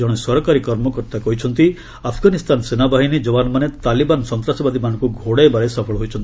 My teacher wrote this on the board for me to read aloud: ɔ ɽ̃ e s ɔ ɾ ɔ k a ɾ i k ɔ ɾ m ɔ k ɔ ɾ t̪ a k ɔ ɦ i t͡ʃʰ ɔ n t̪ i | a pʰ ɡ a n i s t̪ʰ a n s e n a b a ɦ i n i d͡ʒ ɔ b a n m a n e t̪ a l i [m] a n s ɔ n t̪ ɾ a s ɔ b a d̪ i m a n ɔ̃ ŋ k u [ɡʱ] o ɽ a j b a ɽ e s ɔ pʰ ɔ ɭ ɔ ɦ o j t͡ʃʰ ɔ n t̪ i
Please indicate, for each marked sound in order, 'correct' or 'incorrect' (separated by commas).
incorrect, correct